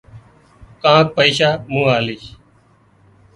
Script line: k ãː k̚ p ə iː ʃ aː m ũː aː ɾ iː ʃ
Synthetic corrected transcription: k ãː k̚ p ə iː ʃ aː m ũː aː l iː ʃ